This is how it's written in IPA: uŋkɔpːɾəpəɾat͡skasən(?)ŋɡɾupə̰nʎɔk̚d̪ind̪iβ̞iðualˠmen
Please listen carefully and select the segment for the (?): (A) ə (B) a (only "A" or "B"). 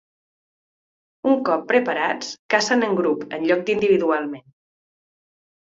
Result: A